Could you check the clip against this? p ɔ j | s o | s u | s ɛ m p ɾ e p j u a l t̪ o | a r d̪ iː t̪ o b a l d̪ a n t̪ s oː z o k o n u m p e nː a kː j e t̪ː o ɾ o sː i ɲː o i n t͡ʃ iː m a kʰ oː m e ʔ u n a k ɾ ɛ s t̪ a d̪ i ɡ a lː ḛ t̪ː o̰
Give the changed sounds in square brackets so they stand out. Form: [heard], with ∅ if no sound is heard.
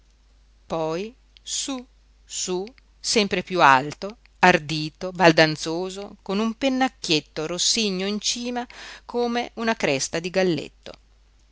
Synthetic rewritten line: p ɔ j | s [u] | s u | s ɛ m p ɾ e p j u a l t̪ o | a r d̪ iː t̪ o b a l d̪ a n t̪ s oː z o k o n u m p e nː a kː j e t̪ː o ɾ o sː i ɲː o i n t͡ʃ iː m a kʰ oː m e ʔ u n a k ɾ ɛ s t̪ a d̪ i ɡ a lː ḛ t̪ː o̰

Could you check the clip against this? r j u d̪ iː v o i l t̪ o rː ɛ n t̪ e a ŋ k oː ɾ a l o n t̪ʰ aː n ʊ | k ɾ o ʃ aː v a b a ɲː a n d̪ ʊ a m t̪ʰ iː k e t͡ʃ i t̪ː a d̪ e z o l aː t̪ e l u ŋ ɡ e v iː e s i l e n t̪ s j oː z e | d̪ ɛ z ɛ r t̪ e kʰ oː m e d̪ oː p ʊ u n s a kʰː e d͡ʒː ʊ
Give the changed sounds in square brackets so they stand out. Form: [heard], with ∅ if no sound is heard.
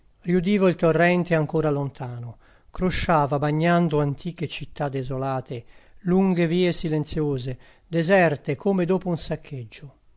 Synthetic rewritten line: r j u d̪ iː v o i l t̪ o rː ɛ n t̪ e a ŋ k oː ɾ a l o n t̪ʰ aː n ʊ | k ɾ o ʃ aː v a b a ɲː a n d̪ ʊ a [n] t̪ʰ iː k e t͡ʃ i t̪ː a d̪ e z o l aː t̪ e l u ŋ ɡ e v iː e s i l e n t̪ s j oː z e | d̪ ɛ z ɛ r t̪ e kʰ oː m e d̪ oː p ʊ u n s a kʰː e d͡ʒː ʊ

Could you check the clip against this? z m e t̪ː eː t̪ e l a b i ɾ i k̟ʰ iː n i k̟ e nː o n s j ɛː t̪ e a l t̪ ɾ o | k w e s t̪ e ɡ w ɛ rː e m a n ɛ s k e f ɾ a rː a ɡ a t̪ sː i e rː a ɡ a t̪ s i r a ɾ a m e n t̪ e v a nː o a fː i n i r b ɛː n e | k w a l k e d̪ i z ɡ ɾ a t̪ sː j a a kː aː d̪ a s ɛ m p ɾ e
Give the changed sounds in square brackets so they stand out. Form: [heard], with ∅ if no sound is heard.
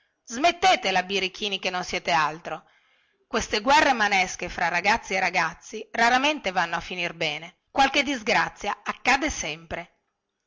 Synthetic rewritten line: z m e t̪ː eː t̪ e l a b i ɾ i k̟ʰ iː n i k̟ e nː o n s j ɛː t̪ e a l t̪ ɾ o | k w e s t̪ e ɡ w ɛ rː e m a n ɛ s k e f ɾ a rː a ɡ a t̪ sː i e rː a ɡ a t̪ [sː] i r a ɾ a m e n t̪ e v a nː o a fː i n i r b ɛː n e | k w a l k e d̪ i z ɡ ɾ a t̪ sː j a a kː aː d̪ [e] s ɛ m p ɾ e

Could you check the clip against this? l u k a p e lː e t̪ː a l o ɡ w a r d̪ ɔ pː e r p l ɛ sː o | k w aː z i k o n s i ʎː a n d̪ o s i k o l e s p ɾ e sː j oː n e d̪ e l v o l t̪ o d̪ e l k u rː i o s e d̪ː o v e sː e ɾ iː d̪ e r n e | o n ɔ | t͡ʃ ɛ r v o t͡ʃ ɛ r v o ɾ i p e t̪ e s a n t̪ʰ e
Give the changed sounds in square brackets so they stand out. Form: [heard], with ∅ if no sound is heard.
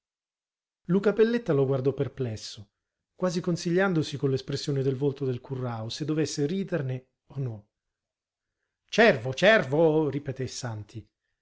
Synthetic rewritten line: l u k a p e lː e t̪ː a l o ɡ w a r d̪ ɔ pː e r p l ɛ sː o | k w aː z i k o n s i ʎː a n d̪ o s i k o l e s p ɾ e sː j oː n e d̪ e l v o l t̪ o d̪ e l k u rː [a] o s e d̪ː o v e sː e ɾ iː d̪ e r n e | o n ɔ | t͡ʃ ɛ r v o t͡ʃ ɛ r v o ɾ i p e t̪ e s a n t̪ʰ [i]

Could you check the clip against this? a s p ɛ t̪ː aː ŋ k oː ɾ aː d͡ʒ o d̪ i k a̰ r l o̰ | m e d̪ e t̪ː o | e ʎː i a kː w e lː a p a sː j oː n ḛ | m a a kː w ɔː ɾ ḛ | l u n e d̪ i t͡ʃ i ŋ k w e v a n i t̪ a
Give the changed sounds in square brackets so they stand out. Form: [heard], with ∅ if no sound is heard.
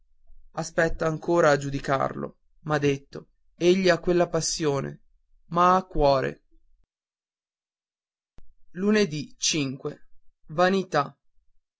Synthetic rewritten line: a s p ɛ t̪ː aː ŋ k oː ɾ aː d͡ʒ [u] d̪ i k a̰ r l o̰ | m [a] d̪ e t̪ː o | e ʎː i a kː w e lː a p a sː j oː n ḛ | m a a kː w ɔː ɾ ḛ | l u n e d̪ i t͡ʃ i ŋ k w e v a n i t̪ a

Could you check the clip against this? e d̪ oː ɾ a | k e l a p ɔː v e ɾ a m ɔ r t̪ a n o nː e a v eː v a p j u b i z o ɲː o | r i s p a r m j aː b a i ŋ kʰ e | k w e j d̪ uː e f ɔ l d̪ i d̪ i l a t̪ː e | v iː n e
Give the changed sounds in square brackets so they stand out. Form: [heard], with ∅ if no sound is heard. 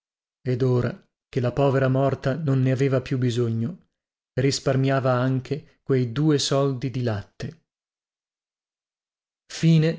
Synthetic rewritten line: e d̪ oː ɾ a | k e l a p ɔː v e ɾ a m ɔ r t̪ a n o nː e a v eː v a p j u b i z o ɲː o | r i s p a r m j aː [v] a [a] ŋ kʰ e | k w e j d̪ uː e [s] ɔ l d̪ i d̪ i l a t̪ː e | [f] iː n e

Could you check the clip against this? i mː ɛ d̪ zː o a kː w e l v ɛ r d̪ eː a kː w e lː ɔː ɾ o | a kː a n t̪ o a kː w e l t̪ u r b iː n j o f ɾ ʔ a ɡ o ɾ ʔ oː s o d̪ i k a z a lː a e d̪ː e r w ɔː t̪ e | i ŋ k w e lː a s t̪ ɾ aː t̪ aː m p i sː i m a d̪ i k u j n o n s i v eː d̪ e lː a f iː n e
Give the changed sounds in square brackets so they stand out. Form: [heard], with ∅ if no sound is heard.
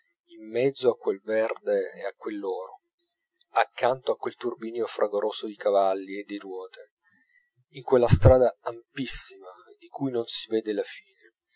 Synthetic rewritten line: i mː ɛ d̪ zː o a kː w e l v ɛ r d̪ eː a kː w e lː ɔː ɾ o | a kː a n t̪ o a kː w e l t̪ u r b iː n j o f ɾ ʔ a ɡ o ɾ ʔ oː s o d̪ i k a [v] a lː [i] e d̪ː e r w ɔː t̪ e | i ŋ k w e lː a s t̪ ɾ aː [d̪] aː m p i sː i m a d̪ i k u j n o n s i v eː d̪ e [l] a f iː n e

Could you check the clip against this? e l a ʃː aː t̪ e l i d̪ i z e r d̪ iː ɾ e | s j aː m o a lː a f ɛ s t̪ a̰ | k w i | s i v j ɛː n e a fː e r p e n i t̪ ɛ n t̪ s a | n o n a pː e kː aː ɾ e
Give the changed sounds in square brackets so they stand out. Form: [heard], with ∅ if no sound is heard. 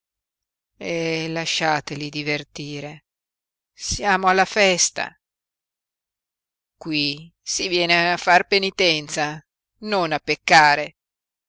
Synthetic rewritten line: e l a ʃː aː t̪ e l i d̪ i [v] e r [t̪] iː ɾ e | s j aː m o a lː a f ɛ s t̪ a̰ | k w i | s i v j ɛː n e a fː [a] r p e n i t̪ ɛ n t̪ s a | n o n a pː e kː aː ɾ e

